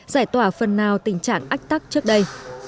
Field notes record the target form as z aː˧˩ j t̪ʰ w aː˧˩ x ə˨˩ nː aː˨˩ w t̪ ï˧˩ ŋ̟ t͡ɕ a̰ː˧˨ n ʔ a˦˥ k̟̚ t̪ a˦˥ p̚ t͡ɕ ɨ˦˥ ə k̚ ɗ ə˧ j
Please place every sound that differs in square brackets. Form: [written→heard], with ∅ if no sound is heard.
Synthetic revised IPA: z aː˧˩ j [t̪ʰ→t̪] w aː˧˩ [x→f] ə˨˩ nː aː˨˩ w t̪ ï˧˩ ŋ̟ t͡ɕ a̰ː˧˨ [n→ŋ] ʔ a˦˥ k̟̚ t̪ a˦˥ [p̚→k̚] t͡ɕ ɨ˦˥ ə k̚ ɗ ə˧ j